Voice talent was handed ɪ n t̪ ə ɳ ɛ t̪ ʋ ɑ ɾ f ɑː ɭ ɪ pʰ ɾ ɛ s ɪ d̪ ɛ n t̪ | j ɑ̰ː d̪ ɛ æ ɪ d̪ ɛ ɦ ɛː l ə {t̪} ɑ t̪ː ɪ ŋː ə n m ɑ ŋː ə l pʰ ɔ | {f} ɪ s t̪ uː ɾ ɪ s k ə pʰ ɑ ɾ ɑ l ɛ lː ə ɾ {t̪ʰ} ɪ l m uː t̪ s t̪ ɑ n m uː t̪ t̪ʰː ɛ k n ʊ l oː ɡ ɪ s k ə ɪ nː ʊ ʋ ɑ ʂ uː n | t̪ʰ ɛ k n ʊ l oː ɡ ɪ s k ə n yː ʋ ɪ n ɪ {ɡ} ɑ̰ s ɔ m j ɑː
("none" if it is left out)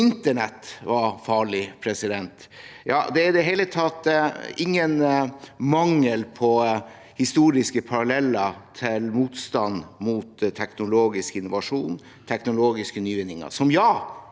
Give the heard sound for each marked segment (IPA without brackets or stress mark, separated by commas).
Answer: t̪ʰ, h, t̪ʰ, ŋ